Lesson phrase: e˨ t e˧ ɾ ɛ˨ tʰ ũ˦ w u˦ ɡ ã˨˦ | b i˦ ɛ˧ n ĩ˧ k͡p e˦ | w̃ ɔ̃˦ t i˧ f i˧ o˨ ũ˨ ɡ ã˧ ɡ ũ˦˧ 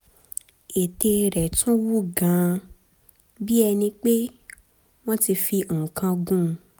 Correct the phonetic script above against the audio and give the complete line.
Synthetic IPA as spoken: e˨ t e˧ ɾ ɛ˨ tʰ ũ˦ w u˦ ɡ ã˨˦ | b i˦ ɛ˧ n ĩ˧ k͡p e˦ | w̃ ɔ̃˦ t i˧ f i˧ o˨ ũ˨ k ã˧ ɡ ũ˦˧

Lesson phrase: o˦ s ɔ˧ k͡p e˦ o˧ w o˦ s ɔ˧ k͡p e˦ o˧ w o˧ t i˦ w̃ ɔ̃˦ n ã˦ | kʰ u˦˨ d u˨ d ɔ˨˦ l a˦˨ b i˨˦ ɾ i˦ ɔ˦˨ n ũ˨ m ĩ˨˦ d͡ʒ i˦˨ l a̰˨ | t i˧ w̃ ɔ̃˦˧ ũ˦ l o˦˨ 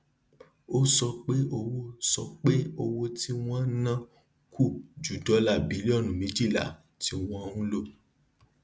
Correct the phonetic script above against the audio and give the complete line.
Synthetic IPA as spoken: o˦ s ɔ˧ k͡p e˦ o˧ w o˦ s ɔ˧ k͡p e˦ o˧ w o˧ t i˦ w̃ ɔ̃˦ n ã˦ | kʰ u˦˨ d͡ʒ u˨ d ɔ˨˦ l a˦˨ b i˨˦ l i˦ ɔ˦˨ n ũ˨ m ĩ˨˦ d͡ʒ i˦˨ l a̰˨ | t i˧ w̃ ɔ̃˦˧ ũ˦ l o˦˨

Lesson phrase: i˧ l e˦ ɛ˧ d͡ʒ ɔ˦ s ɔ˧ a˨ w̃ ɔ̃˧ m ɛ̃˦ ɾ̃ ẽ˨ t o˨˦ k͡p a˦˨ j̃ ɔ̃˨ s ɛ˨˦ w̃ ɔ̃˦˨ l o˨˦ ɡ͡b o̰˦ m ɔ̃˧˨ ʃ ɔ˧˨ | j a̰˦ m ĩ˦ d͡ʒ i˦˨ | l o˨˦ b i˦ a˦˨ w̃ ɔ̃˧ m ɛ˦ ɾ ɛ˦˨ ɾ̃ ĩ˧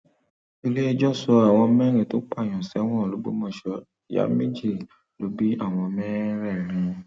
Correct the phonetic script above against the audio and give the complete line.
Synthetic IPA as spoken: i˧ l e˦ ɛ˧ d͡ʒ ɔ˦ s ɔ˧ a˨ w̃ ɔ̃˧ m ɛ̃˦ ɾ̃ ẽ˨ t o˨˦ k͡p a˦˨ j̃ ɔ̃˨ s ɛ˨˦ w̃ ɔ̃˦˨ l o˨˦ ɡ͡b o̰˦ m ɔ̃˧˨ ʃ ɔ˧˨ | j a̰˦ m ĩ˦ d͡ʒ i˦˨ | l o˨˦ b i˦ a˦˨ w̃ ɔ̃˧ m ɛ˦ ɾ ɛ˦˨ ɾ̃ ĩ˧

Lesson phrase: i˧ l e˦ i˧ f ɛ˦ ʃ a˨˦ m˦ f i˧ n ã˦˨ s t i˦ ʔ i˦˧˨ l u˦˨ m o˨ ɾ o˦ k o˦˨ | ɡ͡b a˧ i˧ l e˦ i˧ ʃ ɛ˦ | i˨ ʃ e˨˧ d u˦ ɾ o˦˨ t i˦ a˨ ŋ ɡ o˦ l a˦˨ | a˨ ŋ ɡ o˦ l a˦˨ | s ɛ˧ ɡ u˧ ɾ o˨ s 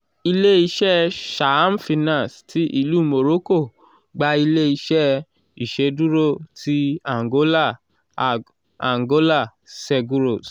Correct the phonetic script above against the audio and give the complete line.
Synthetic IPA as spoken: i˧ l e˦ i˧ ʃ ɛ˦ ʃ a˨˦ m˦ f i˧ n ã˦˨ s t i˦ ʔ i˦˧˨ l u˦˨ m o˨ ɾ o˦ k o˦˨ | ɡ͡b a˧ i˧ l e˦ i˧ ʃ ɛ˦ | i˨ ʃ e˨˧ d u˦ ɾ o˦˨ t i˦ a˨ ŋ ɡ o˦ l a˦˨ | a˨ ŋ ɡ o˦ l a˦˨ | s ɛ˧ ɡ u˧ ɾ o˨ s

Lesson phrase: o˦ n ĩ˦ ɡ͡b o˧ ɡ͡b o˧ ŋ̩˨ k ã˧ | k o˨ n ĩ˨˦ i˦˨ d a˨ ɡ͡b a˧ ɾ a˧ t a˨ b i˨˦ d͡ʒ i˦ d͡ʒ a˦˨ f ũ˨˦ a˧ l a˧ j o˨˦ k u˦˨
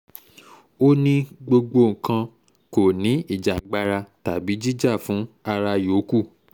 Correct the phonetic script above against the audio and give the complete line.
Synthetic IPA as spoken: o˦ n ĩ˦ ɡ͡b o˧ ɡ͡b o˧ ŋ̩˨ k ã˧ | k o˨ n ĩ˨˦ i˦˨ d͡ʒ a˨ ɡ͡b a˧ ɾ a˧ t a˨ b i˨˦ d͡ʒ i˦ d͡ʒ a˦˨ f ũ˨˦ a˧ ɾ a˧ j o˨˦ k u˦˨

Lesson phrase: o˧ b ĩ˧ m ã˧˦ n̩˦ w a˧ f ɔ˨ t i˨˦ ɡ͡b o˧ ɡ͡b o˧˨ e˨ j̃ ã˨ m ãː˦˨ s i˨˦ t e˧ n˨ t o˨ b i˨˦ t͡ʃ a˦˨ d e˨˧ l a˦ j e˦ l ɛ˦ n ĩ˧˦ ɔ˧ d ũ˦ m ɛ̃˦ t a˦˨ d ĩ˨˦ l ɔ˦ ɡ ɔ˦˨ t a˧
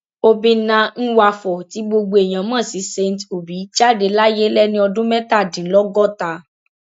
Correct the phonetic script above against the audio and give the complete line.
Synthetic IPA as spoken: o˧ b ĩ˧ n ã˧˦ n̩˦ w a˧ f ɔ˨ t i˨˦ ɡ͡b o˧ ɡ͡b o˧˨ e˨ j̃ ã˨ m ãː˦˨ s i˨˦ s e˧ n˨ t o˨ b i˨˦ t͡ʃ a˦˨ d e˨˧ l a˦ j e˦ l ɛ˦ n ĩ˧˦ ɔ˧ d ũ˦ m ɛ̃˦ t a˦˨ d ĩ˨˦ l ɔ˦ ɡ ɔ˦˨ t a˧

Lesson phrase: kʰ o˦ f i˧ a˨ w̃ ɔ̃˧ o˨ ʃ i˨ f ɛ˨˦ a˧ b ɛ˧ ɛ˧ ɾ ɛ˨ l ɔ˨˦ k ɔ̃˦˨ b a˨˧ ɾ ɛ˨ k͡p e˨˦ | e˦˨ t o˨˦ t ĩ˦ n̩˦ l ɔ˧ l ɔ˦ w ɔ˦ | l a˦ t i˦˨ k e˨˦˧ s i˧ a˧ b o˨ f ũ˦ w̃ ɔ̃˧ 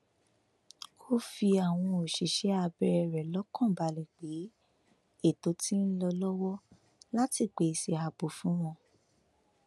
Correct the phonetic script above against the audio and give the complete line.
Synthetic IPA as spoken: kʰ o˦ f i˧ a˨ w̃ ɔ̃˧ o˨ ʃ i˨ ʃ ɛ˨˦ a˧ b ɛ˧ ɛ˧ ɾ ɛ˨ l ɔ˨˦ k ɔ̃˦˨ b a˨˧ l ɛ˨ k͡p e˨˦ | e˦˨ t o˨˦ t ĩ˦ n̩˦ l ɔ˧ l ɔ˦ w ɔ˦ | l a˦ t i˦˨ k͡p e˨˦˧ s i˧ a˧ b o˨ f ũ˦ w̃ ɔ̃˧

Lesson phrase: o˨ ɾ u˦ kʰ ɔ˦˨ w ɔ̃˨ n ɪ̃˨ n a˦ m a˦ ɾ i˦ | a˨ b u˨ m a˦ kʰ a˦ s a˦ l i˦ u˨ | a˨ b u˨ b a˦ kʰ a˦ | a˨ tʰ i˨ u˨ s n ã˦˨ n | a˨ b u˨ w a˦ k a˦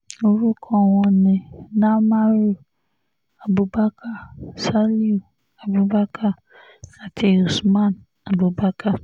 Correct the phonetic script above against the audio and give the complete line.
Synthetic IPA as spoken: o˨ ɾ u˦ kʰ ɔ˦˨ w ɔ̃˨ n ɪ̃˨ n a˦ m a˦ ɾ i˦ | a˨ b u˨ b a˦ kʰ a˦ s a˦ l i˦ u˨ | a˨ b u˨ b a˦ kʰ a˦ | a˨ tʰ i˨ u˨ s m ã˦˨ n | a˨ b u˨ b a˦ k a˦

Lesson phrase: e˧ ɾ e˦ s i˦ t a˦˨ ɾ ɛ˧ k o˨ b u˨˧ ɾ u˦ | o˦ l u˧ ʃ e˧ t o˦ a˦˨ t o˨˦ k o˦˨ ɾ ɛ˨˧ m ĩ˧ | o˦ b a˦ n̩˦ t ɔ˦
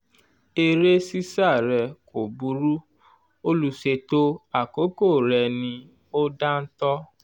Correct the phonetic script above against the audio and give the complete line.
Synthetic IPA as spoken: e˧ ɾ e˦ s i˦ s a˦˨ ɾ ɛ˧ k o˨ b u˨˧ ɾ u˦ | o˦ l u˧ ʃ e˧ t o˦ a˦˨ k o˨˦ k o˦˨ ɾ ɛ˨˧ n ĩ˧ | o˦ d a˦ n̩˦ t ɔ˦

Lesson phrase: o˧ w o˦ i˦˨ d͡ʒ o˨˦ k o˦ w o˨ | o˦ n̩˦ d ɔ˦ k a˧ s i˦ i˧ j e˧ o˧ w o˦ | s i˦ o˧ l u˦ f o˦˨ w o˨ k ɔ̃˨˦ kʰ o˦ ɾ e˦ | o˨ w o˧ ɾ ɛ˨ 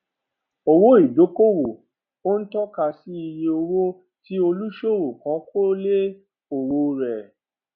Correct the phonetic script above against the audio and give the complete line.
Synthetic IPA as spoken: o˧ w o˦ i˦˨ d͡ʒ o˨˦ k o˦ w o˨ | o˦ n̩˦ t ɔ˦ k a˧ s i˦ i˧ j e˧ o˧ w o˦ | t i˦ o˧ l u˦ ʃ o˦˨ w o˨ k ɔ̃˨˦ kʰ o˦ l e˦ | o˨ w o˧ ɾ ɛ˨

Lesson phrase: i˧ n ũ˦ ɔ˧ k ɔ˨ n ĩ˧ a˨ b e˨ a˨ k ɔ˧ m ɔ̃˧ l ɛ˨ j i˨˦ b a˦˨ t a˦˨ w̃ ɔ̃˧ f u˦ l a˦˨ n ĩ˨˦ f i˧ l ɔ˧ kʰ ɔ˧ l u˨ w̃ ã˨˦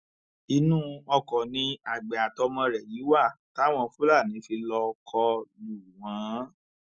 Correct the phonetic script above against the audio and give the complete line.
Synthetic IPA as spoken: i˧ n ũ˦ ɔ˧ k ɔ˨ n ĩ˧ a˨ ɡ͡b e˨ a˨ t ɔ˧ m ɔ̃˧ ɾ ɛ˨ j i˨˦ w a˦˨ t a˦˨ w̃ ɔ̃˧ f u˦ l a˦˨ n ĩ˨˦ f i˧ l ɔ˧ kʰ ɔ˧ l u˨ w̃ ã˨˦

